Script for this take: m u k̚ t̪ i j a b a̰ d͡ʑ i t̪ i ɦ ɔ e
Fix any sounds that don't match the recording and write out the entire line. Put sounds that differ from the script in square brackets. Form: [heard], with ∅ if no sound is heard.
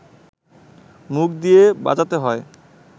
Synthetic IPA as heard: m u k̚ [d̪] i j [e] b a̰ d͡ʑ [a] t̪ [e] ɦ ɔ e